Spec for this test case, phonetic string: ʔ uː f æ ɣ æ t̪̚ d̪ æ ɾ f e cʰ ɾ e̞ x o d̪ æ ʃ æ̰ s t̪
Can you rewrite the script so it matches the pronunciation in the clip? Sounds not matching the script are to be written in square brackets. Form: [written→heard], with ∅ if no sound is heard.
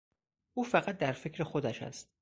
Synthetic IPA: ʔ uː f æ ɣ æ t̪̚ d̪ æ ɾ f e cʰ ɾ e̞ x o d̪ æ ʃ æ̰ s t̪